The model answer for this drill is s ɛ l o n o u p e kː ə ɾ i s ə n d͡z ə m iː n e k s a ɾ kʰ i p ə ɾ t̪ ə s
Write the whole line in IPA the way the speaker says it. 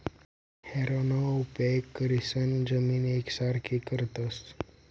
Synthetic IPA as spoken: h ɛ ɾ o n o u p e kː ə ɾ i s ə n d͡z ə m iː n e k s a ɾ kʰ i k ə ɾ t̪ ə s